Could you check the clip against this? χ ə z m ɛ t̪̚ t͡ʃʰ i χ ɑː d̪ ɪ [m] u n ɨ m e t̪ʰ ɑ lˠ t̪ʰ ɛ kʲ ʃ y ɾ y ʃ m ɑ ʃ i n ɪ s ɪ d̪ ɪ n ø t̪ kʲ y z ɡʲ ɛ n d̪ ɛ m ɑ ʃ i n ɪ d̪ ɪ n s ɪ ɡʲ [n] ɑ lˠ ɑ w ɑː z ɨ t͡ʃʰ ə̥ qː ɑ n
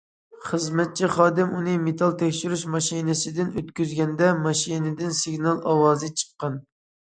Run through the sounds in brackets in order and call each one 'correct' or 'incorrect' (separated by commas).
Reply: correct, correct